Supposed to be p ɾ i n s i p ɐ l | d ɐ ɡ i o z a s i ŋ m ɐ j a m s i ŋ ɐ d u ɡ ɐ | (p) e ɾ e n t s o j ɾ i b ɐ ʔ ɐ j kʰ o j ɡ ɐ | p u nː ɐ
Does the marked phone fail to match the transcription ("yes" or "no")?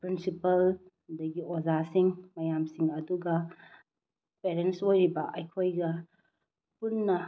no